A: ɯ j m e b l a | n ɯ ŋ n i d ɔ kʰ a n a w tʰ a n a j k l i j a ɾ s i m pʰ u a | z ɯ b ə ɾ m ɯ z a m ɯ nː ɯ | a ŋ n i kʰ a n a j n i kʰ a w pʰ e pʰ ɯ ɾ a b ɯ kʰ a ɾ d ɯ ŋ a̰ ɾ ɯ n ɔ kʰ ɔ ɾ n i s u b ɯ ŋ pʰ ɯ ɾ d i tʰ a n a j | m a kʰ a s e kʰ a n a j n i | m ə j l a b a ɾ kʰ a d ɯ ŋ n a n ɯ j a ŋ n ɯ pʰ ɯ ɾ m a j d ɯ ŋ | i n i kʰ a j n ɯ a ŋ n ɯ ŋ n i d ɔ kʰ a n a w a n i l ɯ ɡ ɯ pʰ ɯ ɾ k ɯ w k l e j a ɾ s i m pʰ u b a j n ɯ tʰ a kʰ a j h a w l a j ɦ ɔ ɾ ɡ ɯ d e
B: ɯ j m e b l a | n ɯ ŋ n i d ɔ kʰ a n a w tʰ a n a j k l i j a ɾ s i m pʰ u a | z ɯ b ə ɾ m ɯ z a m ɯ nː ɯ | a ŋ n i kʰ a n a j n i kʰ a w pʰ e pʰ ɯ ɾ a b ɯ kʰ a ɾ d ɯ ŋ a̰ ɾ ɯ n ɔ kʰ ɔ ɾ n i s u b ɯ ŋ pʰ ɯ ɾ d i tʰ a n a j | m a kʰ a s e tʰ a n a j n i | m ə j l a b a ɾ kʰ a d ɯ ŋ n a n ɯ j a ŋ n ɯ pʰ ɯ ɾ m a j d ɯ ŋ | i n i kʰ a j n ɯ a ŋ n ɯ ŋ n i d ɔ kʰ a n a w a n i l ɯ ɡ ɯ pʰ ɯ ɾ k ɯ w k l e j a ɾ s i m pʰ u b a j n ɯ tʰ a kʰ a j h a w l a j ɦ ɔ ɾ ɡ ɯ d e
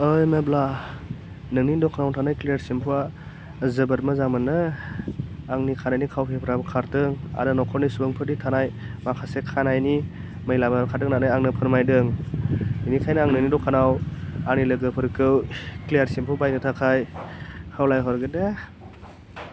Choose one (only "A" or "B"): A